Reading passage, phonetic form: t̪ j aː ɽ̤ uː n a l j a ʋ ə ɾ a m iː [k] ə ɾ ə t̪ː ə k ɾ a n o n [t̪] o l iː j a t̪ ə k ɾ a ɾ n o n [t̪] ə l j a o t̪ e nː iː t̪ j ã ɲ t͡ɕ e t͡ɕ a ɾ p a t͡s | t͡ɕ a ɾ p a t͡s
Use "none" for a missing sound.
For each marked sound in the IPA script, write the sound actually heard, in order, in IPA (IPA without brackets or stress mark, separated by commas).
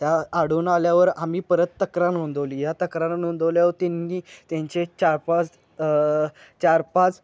p, d̪, d̪